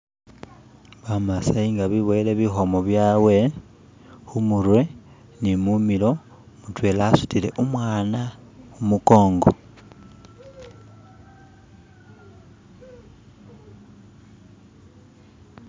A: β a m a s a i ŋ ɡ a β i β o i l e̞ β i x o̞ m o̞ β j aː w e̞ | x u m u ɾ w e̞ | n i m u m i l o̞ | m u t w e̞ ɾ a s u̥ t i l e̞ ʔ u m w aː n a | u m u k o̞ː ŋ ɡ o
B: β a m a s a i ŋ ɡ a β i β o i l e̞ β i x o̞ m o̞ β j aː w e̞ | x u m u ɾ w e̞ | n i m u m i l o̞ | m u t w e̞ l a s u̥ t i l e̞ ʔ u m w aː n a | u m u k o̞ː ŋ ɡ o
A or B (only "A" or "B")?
B